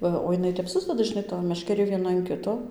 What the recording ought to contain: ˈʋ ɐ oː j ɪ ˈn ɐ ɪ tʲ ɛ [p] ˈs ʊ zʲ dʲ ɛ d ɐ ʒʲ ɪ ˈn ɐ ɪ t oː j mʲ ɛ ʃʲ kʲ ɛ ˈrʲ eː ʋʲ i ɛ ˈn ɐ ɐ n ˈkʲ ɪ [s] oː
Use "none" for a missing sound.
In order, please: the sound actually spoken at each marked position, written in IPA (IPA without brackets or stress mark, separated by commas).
p, t